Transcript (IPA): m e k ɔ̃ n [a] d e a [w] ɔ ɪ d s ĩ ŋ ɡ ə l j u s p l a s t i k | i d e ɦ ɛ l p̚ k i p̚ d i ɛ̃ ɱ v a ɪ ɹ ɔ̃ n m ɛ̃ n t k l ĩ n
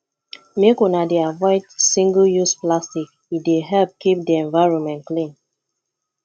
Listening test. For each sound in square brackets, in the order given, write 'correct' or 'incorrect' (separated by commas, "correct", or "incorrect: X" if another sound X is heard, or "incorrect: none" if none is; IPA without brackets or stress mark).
correct, incorrect: v